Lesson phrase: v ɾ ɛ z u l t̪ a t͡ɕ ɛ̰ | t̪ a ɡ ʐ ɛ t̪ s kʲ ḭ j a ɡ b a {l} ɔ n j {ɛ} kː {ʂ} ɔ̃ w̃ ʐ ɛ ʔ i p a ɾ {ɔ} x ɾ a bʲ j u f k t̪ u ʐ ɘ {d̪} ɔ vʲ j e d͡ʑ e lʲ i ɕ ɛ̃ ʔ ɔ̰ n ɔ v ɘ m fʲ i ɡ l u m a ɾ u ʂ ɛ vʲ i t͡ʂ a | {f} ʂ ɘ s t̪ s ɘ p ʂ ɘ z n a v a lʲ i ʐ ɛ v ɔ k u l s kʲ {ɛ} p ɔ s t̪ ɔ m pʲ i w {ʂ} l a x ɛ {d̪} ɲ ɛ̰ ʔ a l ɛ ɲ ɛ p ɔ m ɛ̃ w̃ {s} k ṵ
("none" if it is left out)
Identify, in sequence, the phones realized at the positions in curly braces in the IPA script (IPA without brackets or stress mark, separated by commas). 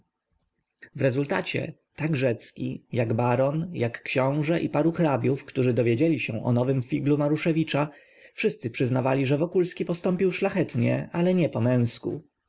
ɾ, a, ɕ, u, d̪, f, i, ʂ, t̪, s